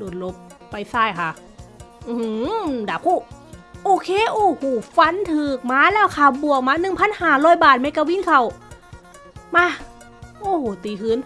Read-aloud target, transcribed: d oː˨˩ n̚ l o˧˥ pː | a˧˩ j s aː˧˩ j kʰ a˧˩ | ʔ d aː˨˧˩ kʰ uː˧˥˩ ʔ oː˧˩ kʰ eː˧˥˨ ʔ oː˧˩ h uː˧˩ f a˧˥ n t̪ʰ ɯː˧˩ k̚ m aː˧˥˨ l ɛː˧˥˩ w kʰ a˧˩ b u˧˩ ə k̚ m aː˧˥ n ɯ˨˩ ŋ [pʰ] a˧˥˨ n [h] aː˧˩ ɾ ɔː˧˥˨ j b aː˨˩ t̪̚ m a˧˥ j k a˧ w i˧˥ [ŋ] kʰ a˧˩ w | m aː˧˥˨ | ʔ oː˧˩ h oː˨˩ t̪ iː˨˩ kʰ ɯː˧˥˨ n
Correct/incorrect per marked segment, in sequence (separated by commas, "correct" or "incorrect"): correct, correct, incorrect